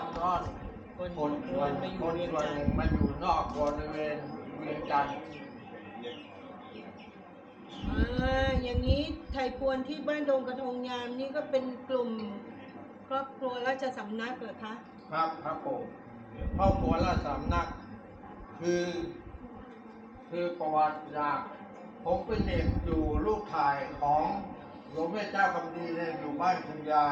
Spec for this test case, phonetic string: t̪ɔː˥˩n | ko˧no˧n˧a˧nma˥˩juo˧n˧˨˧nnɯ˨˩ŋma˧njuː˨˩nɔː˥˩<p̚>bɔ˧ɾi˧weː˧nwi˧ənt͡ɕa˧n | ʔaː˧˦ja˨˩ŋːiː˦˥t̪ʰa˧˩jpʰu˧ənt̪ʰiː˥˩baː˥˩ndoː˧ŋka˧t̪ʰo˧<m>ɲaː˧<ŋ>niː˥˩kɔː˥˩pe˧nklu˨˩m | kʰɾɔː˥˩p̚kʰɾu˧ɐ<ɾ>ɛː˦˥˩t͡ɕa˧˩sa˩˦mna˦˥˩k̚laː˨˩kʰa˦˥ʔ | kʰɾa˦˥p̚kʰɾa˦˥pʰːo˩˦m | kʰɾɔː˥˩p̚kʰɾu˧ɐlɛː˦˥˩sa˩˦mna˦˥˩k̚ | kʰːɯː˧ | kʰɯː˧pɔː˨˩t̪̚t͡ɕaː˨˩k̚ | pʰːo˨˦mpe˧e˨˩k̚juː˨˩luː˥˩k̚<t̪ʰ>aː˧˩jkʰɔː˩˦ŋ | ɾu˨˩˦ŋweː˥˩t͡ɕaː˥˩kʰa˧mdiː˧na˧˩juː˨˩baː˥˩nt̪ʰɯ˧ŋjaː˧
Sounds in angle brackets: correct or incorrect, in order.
incorrect: k̚, incorrect: ŋ, incorrect: m, incorrect: l, correct

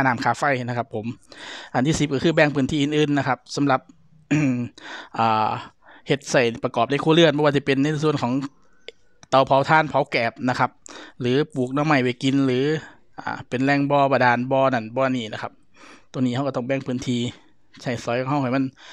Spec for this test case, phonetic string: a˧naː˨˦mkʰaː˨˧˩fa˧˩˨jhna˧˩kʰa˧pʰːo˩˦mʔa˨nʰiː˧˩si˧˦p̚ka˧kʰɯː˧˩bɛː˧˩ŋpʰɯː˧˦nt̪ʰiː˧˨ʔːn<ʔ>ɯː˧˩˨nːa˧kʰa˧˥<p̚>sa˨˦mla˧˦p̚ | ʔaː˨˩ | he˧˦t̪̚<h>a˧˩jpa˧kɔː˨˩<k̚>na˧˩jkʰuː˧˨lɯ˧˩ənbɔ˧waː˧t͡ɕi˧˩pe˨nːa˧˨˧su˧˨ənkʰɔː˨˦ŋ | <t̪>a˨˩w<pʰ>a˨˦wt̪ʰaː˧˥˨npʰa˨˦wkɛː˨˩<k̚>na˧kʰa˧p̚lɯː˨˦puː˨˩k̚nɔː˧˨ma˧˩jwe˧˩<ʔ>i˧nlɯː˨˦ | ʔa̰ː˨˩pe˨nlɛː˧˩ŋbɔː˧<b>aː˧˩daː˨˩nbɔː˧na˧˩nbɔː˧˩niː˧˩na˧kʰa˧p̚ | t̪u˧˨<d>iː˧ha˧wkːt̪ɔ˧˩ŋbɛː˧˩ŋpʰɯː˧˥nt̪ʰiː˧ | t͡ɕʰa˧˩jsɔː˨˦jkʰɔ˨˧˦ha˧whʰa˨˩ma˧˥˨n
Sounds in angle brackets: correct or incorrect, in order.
correct, correct, incorrect: s, incorrect: p̚, correct, correct, incorrect: p̚, incorrect: k, correct, incorrect: n

